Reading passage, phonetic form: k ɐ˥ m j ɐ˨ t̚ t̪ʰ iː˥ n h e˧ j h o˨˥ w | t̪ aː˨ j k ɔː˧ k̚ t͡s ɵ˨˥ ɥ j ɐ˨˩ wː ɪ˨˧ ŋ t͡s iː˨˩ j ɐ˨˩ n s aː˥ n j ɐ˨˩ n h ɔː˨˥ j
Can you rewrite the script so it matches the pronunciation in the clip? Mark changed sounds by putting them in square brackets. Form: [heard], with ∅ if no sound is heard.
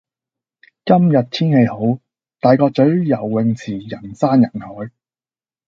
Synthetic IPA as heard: k ɐ˥ m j ɐ˨ t̚ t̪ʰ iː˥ n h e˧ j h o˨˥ w | t̪ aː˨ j k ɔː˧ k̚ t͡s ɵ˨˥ ɥ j ɐ˨˩ wː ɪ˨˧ ŋ [t͡sʰ] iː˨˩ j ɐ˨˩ n s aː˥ n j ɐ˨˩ n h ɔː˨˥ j